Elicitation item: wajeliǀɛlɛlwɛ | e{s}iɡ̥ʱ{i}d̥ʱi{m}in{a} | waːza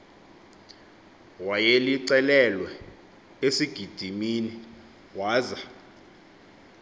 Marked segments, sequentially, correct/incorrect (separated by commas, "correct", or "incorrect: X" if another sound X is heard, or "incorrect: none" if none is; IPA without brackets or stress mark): correct, correct, correct, incorrect: i